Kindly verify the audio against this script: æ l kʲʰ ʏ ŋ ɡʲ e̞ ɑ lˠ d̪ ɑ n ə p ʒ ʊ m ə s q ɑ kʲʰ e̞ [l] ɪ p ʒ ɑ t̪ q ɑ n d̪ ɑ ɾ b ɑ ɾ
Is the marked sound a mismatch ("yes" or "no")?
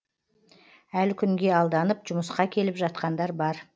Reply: no